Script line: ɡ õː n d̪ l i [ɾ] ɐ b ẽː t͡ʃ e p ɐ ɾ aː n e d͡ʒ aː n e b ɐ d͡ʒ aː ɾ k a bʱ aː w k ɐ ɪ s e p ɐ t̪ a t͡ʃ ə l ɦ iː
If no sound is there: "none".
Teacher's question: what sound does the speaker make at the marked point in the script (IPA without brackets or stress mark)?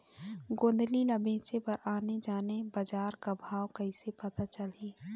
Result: l